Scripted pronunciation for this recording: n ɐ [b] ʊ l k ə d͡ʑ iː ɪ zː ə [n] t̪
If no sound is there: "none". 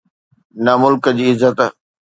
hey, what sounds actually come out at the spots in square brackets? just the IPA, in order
m, none

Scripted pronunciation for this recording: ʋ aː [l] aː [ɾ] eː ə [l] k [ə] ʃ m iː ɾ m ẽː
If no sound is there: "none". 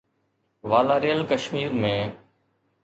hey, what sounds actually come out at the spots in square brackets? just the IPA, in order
l, ɾ, l, ə

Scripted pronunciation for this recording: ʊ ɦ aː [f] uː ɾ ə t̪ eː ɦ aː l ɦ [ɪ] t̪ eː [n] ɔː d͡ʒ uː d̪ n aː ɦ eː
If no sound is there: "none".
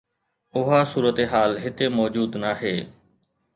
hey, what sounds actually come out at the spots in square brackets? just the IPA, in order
s, ɪ, m

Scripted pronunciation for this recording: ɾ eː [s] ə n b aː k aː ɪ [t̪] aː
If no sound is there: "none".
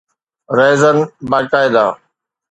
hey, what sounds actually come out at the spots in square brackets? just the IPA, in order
z, d̪

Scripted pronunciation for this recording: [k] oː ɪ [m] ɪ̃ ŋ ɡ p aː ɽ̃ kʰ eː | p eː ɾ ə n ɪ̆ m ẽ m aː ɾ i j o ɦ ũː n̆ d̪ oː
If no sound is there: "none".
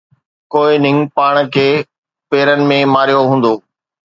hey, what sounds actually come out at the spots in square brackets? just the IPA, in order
k, n

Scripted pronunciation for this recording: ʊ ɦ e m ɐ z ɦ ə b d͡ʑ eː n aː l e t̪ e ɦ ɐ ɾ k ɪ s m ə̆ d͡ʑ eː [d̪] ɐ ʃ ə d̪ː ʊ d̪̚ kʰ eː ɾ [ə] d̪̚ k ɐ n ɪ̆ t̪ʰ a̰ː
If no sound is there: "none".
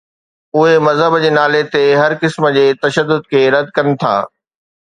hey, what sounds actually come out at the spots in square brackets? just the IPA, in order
t̪, ɐ

